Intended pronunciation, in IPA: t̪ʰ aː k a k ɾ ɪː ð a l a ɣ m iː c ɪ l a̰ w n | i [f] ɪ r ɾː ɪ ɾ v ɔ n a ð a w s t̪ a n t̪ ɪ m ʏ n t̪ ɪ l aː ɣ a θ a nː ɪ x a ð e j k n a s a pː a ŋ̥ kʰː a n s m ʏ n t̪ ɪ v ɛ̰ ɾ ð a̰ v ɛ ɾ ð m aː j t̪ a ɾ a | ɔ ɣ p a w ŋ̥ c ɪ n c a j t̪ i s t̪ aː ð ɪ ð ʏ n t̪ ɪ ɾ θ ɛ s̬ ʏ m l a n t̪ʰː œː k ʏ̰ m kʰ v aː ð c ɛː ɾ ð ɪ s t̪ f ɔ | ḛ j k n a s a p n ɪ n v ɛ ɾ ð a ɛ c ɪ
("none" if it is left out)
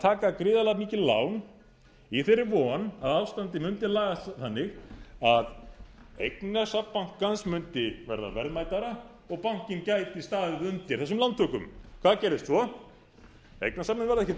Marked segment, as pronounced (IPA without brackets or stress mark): θ